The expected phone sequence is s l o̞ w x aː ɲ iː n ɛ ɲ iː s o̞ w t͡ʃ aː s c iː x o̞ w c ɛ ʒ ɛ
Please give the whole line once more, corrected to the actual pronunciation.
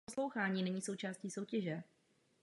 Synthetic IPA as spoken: s l o̞ w x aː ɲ iː n ɛ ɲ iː s o̞ w t͡ʃ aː s c iː s o̞ w c ɛ ʒ ɛ